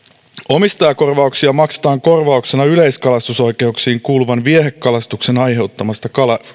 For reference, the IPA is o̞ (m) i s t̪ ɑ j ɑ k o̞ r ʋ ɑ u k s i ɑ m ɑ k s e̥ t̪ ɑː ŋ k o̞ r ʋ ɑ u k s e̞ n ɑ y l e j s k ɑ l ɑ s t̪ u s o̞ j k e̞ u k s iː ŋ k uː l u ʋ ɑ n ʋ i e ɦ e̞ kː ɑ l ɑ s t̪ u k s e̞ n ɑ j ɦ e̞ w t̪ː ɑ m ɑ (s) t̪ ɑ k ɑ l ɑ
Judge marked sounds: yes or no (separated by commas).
yes, yes